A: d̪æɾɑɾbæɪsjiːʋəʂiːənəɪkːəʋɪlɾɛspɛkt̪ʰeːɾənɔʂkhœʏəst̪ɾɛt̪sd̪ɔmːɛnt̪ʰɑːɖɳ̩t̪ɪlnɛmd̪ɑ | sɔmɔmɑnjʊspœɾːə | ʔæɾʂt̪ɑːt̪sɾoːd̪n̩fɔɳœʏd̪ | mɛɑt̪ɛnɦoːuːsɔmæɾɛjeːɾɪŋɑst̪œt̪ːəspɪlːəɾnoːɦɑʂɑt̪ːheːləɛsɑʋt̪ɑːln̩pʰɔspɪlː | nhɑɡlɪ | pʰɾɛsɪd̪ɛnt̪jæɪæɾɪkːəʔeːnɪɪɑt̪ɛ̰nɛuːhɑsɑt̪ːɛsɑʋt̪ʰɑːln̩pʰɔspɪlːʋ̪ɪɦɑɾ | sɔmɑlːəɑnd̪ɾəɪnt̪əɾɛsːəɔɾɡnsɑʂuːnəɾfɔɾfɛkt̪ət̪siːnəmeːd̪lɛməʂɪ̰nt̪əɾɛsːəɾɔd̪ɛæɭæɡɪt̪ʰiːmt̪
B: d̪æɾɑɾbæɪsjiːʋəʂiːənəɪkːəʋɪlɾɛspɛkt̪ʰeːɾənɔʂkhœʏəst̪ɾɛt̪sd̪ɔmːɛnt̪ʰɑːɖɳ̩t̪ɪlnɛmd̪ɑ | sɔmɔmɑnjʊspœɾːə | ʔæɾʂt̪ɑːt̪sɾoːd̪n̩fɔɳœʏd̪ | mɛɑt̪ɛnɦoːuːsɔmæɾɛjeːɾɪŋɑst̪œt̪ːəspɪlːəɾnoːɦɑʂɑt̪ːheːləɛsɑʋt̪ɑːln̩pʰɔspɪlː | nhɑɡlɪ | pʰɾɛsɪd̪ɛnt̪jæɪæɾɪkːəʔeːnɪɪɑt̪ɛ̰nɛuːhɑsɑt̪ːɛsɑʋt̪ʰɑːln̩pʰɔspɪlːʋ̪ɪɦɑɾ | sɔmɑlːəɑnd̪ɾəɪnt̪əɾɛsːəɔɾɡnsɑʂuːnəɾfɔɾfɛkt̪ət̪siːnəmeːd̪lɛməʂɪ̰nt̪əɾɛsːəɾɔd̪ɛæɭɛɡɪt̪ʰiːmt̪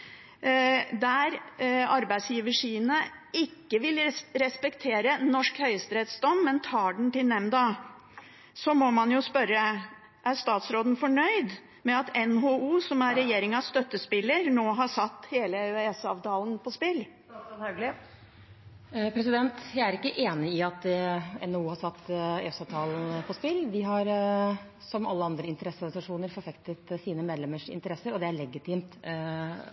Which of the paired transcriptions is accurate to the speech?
B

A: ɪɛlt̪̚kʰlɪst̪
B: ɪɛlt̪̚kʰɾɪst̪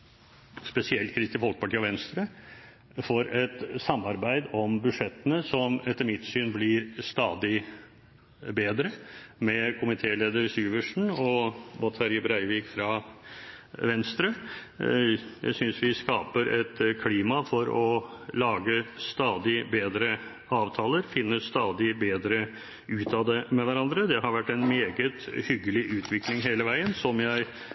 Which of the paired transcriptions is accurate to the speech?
B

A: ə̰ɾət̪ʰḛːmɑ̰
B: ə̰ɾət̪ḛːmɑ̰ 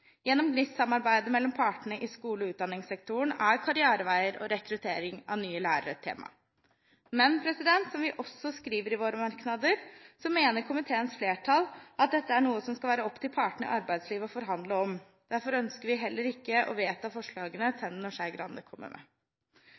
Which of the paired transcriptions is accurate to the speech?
A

